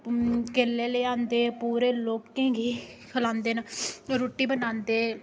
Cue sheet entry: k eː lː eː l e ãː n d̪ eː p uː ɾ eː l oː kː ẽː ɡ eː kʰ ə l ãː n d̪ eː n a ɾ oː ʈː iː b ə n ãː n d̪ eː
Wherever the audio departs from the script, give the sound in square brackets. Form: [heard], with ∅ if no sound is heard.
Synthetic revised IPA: k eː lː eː l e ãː n d̪ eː p uː ɾ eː l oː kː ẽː ɡ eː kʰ ə l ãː n d̪ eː n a ɾ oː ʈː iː b ə n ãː n d̪ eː